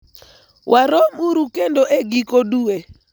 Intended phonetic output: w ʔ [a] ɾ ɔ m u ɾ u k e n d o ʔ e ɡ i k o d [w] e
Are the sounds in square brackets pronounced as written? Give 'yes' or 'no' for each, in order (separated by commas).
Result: yes, no